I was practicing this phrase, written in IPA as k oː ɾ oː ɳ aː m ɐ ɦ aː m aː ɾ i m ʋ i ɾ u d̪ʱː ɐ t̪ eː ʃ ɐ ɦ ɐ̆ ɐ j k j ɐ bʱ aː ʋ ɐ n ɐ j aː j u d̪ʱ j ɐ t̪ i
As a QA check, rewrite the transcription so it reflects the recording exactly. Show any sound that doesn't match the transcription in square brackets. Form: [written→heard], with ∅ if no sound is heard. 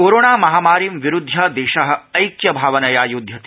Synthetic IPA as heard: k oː ɾ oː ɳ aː m ɐ ɦ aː m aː ɾ i m ʋ i ɾ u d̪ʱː ɐ [t̪→d̪] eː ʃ ɐ ɦ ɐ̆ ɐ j k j ɐ bʱ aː ʋ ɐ n ɐ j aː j u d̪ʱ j ɐ t̪ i